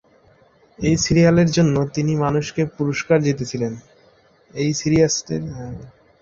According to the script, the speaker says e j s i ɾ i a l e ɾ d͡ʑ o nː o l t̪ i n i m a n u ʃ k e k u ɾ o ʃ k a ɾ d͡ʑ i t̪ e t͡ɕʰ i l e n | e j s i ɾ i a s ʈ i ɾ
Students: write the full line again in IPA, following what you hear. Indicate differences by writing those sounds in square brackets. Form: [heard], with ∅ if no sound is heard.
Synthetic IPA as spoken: e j s i ɾ i a l e ɾ d͡ʑ o nː o [∅] t̪ i n i m a n u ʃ k e [p] u ɾ o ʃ k a ɾ d͡ʑ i t̪ e t͡ɕʰ i l e n | e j s i ɾ i a s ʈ [e] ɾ